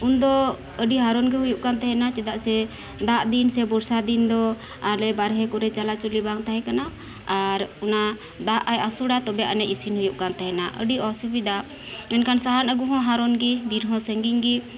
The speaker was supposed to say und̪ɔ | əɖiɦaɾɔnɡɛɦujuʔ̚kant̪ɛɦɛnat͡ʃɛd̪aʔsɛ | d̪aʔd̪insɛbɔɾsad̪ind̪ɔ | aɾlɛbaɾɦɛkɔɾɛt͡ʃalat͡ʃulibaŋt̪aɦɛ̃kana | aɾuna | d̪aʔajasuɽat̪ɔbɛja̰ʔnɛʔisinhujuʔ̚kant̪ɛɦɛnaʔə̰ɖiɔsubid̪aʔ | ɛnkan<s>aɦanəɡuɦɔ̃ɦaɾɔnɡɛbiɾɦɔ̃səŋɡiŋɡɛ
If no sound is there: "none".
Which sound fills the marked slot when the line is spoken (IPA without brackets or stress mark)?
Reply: s